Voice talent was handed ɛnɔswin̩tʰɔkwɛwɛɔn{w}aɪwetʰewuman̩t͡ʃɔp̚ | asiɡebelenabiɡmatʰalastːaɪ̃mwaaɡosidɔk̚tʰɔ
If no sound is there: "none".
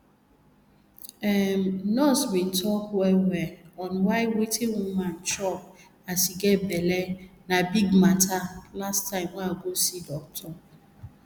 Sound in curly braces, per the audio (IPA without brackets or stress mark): w